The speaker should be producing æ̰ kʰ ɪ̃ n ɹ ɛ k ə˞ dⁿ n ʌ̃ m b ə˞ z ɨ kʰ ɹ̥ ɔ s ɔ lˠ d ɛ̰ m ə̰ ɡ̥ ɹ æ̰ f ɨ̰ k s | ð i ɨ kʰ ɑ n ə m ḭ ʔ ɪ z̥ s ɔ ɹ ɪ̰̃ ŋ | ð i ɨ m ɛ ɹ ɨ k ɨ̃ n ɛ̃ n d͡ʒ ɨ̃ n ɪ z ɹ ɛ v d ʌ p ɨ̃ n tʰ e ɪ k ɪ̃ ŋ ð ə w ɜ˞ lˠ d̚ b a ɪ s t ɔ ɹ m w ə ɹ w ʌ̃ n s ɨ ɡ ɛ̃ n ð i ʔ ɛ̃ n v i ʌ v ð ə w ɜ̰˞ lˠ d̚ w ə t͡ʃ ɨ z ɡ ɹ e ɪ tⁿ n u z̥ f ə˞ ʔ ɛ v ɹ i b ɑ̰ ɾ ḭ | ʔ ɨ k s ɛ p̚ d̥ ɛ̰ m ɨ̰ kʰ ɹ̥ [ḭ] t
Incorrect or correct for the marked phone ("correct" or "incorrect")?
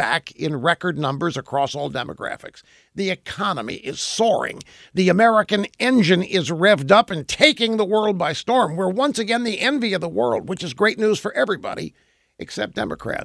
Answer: incorrect